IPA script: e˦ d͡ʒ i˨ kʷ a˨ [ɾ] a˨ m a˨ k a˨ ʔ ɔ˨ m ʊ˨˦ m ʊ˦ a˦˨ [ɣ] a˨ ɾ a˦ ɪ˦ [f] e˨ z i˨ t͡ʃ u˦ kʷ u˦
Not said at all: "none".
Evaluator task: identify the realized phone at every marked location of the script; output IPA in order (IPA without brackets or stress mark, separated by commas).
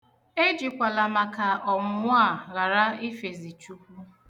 l, ɣ, f